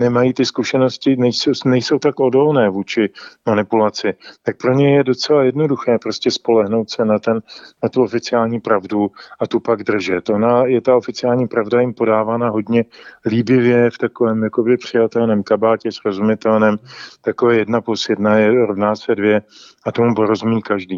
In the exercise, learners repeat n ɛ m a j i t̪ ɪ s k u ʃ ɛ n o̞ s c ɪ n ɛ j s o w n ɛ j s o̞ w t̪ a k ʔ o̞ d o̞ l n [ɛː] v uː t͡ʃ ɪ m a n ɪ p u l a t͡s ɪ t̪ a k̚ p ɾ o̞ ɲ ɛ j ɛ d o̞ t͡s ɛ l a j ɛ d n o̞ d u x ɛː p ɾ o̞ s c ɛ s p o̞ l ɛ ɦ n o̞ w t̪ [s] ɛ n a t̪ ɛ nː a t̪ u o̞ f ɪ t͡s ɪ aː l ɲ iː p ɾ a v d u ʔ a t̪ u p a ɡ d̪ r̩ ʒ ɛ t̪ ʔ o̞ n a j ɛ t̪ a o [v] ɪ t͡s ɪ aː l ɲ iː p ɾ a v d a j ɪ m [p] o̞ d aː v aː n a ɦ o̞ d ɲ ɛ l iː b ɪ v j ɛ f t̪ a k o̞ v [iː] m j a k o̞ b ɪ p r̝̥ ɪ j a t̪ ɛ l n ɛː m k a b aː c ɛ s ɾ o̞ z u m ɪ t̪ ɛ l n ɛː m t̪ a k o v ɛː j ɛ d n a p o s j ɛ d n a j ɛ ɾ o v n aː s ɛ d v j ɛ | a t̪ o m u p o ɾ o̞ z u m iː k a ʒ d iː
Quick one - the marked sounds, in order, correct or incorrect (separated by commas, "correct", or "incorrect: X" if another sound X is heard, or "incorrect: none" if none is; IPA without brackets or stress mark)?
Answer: correct, correct, incorrect: f, correct, incorrect: ɛː